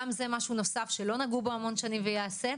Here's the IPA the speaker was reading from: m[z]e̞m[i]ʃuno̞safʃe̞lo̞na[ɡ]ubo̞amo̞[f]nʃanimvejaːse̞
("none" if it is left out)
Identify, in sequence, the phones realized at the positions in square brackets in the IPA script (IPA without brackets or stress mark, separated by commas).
z, a, ɡ, none